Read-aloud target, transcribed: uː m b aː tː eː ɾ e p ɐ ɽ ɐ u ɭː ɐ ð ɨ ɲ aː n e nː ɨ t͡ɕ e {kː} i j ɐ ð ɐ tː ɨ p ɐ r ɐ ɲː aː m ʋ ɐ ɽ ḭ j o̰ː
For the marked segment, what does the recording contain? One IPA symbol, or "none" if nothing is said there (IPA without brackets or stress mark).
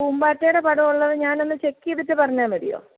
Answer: kː